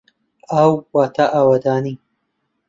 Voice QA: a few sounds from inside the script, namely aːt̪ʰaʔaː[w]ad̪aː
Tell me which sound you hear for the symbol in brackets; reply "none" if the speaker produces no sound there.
w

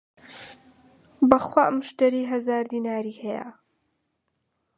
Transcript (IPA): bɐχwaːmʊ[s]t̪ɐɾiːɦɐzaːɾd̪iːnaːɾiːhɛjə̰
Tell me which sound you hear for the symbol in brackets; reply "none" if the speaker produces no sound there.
ʃ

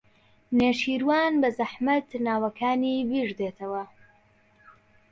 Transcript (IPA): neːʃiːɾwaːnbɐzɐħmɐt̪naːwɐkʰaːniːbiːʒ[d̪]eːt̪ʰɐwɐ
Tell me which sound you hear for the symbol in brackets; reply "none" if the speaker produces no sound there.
d̪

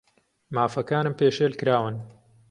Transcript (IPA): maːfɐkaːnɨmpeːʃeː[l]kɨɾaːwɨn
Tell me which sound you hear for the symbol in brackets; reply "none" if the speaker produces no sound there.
l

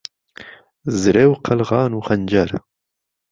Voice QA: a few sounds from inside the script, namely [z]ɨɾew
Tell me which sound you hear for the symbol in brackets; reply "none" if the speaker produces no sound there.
z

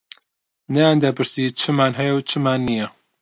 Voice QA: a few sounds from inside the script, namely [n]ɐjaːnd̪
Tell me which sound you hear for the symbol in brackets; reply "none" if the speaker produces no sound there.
n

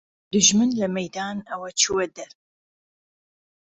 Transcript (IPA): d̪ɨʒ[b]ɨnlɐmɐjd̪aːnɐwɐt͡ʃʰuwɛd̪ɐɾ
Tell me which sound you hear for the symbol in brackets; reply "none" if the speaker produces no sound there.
m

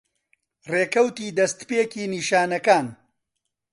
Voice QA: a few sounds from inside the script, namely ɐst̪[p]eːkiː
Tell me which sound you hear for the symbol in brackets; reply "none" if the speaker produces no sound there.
p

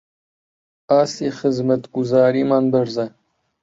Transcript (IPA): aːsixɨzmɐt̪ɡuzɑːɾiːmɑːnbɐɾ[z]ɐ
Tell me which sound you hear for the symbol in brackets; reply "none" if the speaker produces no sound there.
z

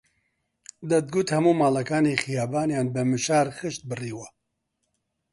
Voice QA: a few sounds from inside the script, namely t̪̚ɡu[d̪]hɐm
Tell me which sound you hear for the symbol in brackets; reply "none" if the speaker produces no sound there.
t̪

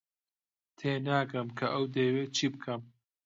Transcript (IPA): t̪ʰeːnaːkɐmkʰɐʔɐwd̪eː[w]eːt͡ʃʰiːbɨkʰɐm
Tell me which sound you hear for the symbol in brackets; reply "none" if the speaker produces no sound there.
w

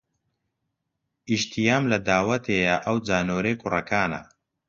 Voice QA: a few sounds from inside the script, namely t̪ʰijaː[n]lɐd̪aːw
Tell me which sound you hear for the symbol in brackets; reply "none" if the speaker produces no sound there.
m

